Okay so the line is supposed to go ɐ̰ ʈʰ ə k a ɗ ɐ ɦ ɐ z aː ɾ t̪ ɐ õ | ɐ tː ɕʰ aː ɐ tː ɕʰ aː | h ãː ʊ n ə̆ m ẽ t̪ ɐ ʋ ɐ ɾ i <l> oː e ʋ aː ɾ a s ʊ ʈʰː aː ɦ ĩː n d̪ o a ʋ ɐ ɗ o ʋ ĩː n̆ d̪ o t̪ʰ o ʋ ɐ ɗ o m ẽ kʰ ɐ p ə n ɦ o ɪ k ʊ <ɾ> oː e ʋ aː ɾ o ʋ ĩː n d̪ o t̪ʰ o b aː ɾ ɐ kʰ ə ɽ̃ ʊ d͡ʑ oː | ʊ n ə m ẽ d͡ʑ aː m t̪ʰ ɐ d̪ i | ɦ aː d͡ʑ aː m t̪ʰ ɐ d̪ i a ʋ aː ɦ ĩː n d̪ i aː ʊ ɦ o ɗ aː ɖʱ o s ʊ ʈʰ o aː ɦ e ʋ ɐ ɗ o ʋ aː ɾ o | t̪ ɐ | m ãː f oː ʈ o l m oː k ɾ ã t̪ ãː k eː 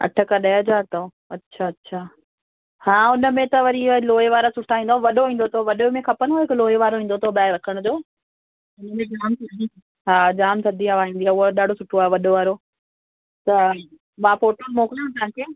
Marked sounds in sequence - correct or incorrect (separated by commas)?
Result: correct, incorrect